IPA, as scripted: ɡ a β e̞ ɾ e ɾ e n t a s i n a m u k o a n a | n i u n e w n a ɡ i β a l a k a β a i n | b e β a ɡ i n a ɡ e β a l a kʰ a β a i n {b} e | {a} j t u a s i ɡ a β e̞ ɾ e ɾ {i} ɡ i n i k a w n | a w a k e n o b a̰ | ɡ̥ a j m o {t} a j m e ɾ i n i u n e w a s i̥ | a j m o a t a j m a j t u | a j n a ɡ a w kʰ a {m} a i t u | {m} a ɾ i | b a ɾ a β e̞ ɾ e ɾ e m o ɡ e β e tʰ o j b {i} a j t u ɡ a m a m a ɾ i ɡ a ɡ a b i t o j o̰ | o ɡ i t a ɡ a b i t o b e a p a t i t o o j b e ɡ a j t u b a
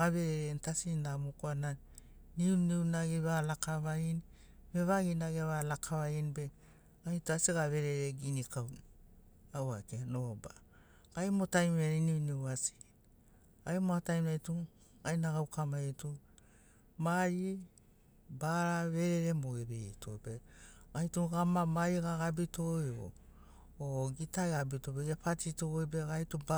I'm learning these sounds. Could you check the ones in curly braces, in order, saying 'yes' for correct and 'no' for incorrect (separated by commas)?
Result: yes, yes, no, yes, yes, yes, no